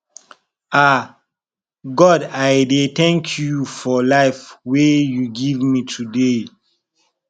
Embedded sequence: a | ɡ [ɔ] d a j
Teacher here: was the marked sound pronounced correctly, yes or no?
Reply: yes